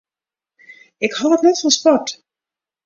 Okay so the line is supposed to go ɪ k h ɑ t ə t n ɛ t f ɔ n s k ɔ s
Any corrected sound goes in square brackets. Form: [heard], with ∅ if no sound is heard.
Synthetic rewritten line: ɪ k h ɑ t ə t n ɛ t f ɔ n s [p] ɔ [t]